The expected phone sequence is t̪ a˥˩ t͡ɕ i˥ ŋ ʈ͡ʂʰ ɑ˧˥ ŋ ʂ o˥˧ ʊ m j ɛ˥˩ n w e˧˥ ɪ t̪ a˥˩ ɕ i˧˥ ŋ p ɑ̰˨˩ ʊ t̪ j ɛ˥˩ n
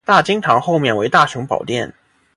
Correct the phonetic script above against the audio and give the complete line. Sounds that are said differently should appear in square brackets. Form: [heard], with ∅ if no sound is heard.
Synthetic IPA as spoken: t̪ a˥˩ t͡ɕ i˥ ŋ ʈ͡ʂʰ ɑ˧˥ ŋ [x] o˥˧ ʊ m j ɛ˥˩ n w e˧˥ ɪ t̪ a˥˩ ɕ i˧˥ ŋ p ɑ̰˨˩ ʊ t̪ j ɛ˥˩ n